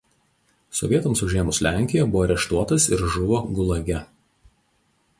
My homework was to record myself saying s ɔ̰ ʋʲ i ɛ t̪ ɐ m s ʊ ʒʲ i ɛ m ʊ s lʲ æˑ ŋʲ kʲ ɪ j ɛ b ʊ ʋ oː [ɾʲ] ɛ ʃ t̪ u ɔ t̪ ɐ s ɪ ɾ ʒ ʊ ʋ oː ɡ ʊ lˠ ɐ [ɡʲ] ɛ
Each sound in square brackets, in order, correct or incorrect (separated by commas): correct, correct